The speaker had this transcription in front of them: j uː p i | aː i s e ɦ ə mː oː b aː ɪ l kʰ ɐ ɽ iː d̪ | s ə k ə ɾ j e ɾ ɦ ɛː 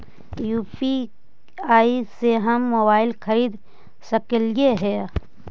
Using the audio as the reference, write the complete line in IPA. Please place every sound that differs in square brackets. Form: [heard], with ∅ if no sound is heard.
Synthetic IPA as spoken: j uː p i | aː i s e ɦ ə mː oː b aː ɪ l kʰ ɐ [ɾ] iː d̪ | s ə k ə [l] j e [∅] ɦ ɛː